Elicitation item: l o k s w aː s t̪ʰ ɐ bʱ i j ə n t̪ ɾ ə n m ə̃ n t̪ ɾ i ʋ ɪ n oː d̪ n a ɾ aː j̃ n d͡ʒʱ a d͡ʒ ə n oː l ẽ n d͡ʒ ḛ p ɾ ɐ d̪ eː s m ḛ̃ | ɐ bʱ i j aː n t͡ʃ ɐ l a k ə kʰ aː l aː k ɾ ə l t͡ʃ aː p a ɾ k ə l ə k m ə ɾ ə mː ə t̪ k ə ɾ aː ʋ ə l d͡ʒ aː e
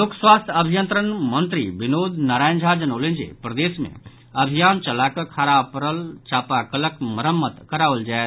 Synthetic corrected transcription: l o k s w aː s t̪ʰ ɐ bʱ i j ə n t̪ ɾ ə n m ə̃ n t̪ ɾ i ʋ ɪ n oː d̪ n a ɾ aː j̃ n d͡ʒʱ a d͡ʒ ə n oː l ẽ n d͡ʒ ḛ p ɾ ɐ d̪ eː s m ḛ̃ | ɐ bʱ i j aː n t͡ʃ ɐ l a k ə kʰ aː ɾ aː p ɾ ə l t͡ʃ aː p a k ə l ə k m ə ɾ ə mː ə t̪ k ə ɾ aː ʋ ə l d͡ʒ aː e